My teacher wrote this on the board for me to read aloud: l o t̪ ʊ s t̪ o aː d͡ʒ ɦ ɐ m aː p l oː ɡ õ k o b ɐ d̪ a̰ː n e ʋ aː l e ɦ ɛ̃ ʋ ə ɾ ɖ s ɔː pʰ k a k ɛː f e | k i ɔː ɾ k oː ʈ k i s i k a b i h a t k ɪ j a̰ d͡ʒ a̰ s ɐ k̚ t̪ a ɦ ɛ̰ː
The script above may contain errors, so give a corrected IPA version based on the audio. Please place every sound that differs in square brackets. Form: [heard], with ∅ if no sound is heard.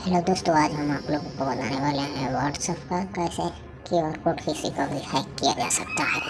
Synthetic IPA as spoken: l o [d̪] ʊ s t̪ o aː d͡ʒ ɦ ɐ m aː p l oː ɡ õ k o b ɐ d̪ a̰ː n e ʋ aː l e ɦ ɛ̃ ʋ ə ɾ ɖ s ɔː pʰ k a k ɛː [s] e | k i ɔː ɾ k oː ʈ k i s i k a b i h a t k [i] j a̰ d͡ʒ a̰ s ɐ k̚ t̪ a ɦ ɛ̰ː